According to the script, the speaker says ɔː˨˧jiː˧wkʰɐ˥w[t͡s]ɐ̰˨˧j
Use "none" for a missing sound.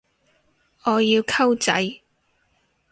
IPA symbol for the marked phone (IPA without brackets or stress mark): t͡s